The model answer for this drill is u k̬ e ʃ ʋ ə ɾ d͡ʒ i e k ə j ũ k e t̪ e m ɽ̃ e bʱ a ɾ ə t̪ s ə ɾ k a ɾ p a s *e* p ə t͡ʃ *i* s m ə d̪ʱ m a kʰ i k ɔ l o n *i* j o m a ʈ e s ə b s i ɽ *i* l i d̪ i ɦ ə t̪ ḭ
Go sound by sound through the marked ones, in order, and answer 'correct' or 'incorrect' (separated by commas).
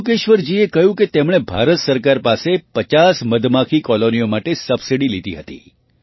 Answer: correct, incorrect, correct, correct